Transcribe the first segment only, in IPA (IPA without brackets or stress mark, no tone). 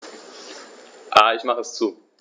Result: ʔ